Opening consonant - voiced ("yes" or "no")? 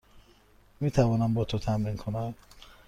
yes